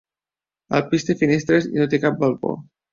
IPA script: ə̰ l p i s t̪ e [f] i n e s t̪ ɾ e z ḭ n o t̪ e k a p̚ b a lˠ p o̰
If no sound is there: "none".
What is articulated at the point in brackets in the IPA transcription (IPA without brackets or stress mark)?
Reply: f